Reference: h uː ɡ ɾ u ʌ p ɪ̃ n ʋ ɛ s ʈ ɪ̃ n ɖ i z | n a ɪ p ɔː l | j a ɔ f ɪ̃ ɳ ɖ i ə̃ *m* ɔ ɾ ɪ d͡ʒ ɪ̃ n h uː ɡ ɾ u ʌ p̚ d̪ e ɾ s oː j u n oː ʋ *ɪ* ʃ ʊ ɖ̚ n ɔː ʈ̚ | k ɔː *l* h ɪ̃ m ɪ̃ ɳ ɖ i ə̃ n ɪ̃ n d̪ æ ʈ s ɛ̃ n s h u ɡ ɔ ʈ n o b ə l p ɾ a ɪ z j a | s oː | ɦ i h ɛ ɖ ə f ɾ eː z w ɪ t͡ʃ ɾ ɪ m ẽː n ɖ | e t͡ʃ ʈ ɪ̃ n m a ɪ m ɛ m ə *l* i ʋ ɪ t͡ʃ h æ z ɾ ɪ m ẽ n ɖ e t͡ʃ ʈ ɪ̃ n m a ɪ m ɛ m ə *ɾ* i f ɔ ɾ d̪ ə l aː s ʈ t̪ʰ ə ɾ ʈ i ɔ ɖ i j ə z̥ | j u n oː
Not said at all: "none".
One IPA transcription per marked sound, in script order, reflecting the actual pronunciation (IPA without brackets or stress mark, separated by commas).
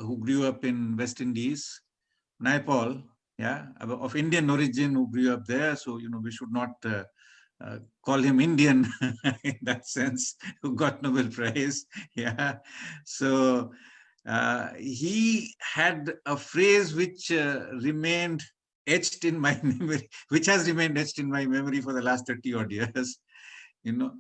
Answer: n, i, l, ɾ, ɾ